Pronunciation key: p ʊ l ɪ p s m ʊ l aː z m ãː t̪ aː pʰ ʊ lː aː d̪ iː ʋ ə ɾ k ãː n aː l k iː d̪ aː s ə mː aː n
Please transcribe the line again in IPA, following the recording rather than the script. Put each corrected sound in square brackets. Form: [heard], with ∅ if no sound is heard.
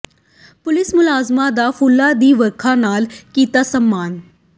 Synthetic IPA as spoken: p ʊ l ɪ [∅] s m ʊ l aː z m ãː [d̪] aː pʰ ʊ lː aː d̪ iː ʋ ə ɾ [kʰ] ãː n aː l k iː [t̪] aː s ə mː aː n